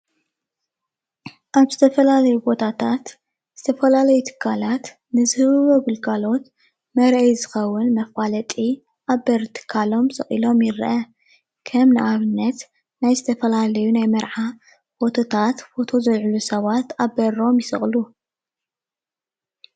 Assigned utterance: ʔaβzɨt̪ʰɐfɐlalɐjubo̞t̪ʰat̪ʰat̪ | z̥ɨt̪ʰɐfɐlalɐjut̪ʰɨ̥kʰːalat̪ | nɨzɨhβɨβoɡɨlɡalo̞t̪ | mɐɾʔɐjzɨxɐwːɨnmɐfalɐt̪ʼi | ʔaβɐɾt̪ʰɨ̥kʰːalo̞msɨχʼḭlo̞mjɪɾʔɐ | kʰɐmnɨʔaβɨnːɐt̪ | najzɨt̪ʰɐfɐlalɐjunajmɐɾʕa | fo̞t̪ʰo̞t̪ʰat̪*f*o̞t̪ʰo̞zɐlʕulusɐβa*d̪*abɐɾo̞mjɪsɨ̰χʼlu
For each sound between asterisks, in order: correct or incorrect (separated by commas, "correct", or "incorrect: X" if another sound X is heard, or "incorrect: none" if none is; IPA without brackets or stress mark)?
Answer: correct, incorrect: t̪